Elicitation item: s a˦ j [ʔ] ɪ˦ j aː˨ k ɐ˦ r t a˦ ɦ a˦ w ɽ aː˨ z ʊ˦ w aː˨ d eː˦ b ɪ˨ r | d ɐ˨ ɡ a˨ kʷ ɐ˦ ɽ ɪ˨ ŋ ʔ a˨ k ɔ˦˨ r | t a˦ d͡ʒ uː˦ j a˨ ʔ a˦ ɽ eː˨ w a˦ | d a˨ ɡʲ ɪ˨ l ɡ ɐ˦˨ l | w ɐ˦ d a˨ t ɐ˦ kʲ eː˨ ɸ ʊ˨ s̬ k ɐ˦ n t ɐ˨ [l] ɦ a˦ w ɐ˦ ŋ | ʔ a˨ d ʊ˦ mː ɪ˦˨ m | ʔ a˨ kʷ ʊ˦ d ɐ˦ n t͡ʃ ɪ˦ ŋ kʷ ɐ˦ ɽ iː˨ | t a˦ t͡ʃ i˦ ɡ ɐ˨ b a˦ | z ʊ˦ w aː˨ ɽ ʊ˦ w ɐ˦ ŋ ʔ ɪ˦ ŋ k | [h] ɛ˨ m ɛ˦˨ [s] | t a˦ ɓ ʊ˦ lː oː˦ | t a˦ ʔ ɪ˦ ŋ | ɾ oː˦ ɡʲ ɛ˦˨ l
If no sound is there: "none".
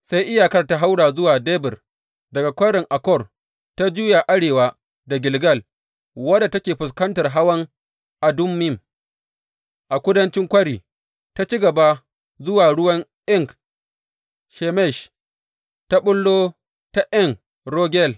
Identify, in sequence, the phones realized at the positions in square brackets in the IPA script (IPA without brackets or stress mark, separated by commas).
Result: ʔ, r, ʃ, ʃ